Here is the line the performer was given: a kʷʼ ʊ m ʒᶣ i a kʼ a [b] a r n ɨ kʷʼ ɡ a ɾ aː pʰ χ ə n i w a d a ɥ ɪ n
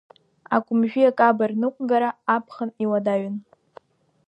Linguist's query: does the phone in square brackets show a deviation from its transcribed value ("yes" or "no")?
no